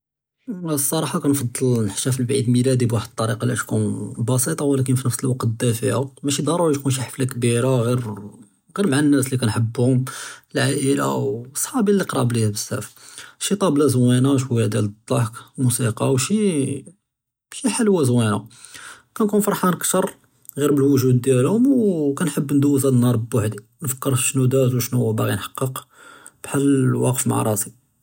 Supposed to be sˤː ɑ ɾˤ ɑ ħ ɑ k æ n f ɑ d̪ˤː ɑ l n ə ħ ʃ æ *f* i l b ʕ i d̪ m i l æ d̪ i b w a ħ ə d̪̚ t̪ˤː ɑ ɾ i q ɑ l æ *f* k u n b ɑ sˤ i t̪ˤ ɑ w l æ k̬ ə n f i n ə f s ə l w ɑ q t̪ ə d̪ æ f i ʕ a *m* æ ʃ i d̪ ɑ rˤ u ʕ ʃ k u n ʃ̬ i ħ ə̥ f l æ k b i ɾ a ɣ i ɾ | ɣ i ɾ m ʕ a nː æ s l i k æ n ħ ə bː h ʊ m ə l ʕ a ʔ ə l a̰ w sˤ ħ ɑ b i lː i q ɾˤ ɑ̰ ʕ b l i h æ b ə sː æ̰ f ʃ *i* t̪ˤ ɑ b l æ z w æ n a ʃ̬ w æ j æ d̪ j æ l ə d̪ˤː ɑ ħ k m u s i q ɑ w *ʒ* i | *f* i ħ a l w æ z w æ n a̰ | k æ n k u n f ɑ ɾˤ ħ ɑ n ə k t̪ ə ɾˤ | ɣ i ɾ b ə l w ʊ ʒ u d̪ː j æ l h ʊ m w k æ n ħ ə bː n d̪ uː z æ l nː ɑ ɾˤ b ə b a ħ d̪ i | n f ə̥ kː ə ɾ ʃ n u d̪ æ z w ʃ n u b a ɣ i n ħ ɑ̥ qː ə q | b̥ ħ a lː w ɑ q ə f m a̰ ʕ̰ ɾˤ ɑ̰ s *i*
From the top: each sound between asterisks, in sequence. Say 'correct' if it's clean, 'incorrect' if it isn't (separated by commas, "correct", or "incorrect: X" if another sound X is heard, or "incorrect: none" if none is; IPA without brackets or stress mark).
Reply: correct, incorrect: ʃ, correct, correct, incorrect: ʃ, incorrect: ʃ, correct